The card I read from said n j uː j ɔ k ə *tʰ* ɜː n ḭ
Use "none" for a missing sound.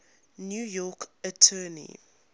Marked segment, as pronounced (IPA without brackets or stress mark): tʰ